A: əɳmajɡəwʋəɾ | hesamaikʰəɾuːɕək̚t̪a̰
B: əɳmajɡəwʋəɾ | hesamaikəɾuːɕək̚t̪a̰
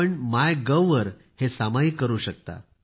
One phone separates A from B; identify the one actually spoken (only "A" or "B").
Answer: B